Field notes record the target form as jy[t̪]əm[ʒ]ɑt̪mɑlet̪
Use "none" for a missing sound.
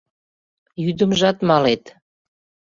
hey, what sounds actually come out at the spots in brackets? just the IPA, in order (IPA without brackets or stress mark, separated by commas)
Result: d̪, ʒ